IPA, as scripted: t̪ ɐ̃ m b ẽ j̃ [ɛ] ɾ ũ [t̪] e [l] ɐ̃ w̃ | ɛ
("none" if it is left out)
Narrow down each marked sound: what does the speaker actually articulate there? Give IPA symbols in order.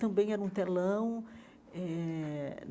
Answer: ɛ, t̪, l

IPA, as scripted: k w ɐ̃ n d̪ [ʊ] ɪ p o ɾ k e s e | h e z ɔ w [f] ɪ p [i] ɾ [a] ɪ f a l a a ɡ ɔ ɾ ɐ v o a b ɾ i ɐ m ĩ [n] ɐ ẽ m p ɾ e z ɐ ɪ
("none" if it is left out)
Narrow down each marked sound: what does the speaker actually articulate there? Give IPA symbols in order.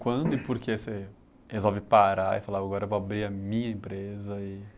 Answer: ʊ, v, a, a, ɲ

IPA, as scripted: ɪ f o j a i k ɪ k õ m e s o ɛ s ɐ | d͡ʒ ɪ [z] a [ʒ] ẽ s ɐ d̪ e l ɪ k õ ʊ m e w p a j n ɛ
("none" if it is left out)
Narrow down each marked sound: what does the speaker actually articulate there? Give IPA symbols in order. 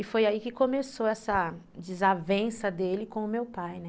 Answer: z, v

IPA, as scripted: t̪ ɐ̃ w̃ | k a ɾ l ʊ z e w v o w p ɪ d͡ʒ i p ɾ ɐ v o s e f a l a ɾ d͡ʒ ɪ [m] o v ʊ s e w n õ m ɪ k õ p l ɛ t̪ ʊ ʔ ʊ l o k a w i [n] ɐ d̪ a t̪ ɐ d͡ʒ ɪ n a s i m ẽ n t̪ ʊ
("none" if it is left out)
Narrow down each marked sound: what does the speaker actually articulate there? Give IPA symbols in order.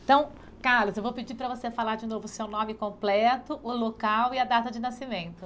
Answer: n, none

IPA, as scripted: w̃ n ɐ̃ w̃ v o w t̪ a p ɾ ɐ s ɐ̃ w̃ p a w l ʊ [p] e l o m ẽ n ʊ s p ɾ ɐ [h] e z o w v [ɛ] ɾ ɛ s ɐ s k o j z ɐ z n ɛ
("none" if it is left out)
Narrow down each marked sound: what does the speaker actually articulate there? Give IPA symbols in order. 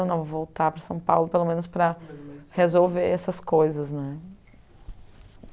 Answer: p, h, e

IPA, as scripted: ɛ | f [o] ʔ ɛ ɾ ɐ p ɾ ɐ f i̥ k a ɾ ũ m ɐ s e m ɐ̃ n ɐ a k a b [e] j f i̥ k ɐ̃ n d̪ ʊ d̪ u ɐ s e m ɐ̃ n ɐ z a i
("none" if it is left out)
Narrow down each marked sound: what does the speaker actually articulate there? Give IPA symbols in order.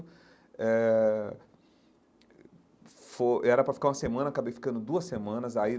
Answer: o, e

